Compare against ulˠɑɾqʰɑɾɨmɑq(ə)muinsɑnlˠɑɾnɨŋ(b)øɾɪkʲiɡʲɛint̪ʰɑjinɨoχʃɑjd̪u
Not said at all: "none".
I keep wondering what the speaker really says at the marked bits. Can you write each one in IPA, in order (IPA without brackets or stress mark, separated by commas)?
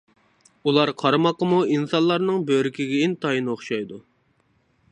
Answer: ə, b